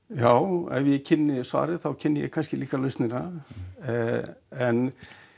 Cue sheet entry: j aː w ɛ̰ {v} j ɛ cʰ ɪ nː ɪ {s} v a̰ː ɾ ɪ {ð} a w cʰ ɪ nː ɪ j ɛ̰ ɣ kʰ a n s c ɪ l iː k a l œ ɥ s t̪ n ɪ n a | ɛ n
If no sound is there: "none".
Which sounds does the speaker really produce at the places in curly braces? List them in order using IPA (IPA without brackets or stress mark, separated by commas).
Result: v, s, θ